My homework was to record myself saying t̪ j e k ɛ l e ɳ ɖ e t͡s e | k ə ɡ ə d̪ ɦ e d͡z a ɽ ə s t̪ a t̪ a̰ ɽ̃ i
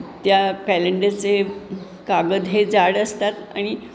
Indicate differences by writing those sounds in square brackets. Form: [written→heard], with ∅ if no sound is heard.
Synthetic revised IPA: t̪ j [e→a] k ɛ l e ɳ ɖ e t͡s e | k [ə→a] ɡ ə d̪ ɦ e d͡z a ɽ ə s t̪ a t̪ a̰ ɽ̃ i